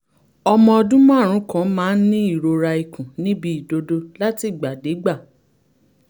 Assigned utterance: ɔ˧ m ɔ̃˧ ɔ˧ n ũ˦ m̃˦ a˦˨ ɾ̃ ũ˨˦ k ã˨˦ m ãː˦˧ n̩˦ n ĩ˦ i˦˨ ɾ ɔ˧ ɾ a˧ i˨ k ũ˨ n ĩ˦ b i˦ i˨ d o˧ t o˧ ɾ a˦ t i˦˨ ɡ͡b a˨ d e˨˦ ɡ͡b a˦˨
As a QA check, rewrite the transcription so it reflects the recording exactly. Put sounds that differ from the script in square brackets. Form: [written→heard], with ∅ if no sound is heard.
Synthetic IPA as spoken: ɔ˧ m ɔ̃˧ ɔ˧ [n→d] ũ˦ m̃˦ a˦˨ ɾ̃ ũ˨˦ k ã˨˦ m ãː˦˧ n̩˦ n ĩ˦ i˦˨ ɾ [ɔ˧→o˧] ɾ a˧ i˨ k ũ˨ n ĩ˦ b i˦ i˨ d o˧ [t→d] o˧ [ɾ→l] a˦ t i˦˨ ɡ͡b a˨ d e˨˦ ɡ͡b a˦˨